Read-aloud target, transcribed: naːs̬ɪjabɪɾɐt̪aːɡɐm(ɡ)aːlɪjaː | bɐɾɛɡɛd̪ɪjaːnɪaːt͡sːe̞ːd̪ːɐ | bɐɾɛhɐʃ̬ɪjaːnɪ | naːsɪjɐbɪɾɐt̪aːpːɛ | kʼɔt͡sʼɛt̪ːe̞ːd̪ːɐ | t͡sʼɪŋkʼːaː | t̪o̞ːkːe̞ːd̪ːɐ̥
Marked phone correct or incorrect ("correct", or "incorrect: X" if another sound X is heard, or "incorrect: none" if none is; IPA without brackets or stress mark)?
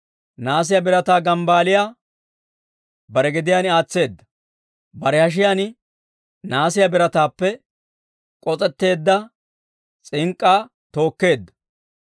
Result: incorrect: b